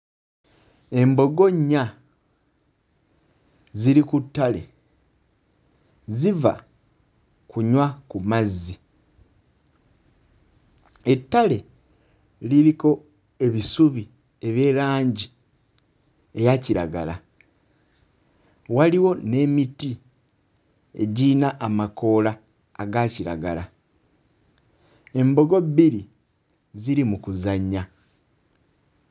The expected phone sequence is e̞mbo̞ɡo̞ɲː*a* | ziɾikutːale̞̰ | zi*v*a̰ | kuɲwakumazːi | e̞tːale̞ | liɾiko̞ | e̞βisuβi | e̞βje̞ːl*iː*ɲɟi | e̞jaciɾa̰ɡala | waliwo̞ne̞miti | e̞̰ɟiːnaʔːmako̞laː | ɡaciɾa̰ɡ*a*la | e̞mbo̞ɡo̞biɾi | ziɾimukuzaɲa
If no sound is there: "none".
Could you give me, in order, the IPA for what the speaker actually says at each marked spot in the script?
a, v, aː, a

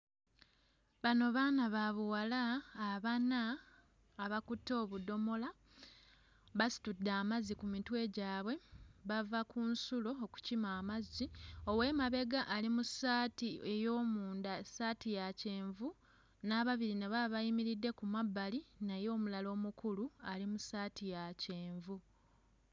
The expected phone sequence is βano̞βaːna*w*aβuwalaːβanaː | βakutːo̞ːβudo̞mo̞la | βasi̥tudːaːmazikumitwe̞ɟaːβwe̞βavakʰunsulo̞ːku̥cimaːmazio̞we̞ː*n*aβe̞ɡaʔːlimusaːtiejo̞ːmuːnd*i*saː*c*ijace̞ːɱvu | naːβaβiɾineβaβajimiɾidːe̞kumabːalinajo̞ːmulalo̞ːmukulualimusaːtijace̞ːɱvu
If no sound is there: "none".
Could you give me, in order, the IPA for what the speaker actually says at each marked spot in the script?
β, m, a, t

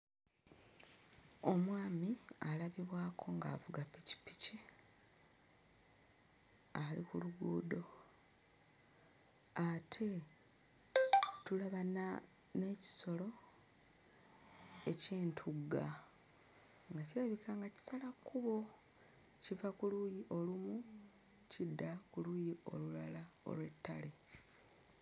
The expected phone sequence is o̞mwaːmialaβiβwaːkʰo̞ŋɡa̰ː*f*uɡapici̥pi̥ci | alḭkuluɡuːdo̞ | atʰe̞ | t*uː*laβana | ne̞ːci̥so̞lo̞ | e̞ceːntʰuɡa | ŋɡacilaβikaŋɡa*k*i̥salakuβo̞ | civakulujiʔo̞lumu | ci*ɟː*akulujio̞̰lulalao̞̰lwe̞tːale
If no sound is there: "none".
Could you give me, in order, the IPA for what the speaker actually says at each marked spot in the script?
v, u, c, dː

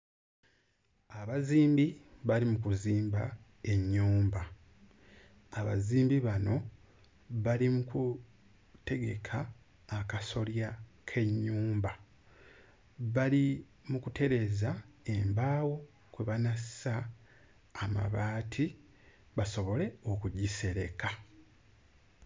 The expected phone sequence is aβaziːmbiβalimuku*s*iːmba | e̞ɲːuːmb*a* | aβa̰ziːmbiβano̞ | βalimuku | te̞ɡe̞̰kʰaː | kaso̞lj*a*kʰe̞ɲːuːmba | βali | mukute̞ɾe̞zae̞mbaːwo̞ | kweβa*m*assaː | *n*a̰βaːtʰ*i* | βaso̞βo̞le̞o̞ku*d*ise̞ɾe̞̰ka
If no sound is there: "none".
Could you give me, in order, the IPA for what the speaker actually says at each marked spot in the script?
z, a, a, n, m, i, ɟ

